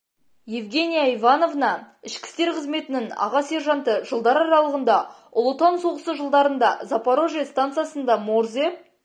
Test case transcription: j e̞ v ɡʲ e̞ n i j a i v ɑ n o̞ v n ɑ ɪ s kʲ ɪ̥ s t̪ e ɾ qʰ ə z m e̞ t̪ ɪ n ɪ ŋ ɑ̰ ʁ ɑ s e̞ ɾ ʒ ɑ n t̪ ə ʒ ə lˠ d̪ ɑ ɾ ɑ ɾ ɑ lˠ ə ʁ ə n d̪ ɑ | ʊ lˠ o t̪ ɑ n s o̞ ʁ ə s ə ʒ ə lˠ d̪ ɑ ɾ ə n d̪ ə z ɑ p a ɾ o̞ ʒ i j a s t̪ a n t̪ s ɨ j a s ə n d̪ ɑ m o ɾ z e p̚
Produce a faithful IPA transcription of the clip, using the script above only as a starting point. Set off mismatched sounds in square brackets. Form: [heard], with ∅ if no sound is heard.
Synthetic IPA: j e̞ v ɡʲ e̞ n i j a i v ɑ n o̞ v n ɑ ɪ [ʃ] kʲ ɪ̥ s t̪ e ɾ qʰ ə z m e̞ t̪ ɪ n ɪ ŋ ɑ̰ ʁ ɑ s e̞ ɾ ʒ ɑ n t̪ ə ʒ ə lˠ d̪ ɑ ɾ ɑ ɾ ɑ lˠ ə ʁ ə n d̪ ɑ | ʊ lˠ o t̪ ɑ n s o̞ ʁ ə s ə ʒ ə lˠ d̪ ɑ ɾ ə n d̪ [ɑ] z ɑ p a ɾ o̞ ʒ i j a s t̪ a n t̪ s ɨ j a s ə n d̪ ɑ m o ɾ z e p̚